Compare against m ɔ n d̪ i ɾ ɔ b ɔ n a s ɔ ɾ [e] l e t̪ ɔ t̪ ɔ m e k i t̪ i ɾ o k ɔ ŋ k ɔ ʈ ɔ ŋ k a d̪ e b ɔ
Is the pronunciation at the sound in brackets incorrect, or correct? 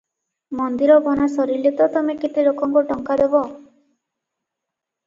incorrect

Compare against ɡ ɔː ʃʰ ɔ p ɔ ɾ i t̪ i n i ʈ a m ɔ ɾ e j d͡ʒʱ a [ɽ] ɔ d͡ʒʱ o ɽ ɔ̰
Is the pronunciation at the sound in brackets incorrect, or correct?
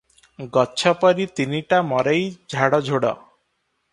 correct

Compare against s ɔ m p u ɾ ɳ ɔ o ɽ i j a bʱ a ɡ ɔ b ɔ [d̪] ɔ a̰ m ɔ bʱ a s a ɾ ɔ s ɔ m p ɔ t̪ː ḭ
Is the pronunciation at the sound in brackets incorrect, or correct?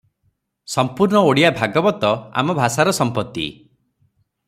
incorrect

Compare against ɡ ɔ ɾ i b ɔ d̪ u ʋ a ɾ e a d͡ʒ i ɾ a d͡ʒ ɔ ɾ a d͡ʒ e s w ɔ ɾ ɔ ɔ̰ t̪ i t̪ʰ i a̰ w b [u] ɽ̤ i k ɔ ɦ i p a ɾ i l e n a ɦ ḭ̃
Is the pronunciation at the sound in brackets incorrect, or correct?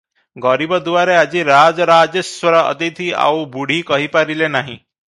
correct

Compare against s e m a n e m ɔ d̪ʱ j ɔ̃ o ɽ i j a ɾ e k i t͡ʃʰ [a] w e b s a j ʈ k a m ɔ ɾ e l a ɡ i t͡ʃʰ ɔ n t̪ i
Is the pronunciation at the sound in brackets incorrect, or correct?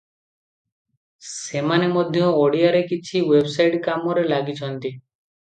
incorrect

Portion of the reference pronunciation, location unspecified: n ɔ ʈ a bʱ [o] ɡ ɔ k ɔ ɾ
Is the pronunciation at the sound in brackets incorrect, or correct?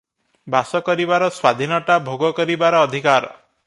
correct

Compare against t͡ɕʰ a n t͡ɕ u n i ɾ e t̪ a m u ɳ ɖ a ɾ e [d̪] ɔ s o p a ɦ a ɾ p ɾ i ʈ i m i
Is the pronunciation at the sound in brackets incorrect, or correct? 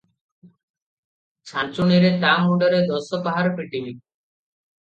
correct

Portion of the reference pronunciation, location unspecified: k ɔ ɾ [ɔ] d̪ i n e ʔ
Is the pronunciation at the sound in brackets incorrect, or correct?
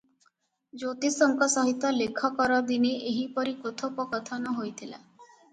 correct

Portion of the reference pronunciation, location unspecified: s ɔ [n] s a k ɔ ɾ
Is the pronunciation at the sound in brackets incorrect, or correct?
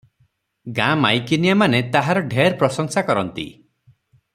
incorrect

